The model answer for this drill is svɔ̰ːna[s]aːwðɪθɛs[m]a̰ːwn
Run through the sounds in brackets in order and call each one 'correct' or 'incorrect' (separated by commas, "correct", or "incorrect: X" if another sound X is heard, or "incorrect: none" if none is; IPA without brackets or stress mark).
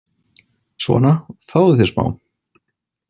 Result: incorrect: f, correct